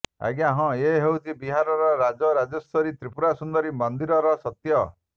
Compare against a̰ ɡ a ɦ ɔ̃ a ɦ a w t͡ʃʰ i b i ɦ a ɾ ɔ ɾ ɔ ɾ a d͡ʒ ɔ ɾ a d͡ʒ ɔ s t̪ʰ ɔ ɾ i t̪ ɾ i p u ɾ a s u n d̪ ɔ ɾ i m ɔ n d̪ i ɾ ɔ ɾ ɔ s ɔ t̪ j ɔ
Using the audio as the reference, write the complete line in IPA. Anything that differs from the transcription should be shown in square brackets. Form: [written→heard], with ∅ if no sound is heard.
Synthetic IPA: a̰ ɡ a ɦ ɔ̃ [a→e] ɦ [a→e] w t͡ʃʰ i b i ɦ a ɾ ɔ ɾ ɔ ɾ a d͡ʒ ɔ ɾ a d͡ʒ ɔ s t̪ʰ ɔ ɾ i t̪ ɾ i p u ɾ a s u n d̪ ɔ ɾ i m ɔ n d̪ i ɾ ɔ ɾ ɔ s ɔ t̪ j ɔ